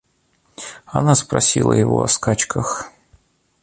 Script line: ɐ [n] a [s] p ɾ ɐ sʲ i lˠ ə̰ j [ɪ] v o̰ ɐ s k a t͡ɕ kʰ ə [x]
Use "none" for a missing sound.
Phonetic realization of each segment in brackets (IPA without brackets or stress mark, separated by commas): n, s, ɪ, x